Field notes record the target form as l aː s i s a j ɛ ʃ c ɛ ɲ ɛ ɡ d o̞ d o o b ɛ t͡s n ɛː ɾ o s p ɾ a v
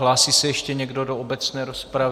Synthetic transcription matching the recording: l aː s i s ɛ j ɛ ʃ c ɛ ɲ ɛ ɡ d o̞ d o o b ɛ t͡s n ɛː ɾ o s p ɾ a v